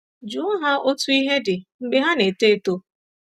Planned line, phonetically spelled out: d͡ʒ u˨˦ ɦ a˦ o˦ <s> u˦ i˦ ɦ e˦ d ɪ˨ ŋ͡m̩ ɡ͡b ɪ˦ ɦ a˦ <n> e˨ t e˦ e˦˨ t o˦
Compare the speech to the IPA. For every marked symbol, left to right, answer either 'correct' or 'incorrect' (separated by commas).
incorrect, correct